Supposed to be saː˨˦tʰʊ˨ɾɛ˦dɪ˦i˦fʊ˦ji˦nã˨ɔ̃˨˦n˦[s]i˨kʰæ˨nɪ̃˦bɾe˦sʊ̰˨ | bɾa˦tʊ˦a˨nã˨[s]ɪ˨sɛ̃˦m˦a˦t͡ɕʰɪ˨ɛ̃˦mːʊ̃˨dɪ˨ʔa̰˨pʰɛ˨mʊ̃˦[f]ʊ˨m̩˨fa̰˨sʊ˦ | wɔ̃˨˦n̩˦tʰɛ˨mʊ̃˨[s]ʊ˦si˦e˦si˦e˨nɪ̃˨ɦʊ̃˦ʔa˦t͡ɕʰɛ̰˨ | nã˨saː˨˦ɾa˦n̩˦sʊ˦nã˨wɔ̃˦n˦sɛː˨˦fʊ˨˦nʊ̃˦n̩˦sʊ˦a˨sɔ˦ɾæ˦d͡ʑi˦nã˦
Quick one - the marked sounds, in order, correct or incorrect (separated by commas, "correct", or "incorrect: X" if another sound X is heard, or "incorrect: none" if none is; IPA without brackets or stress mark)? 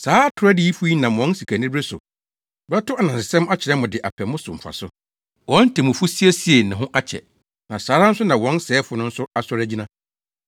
correct, correct, incorrect: s, incorrect: f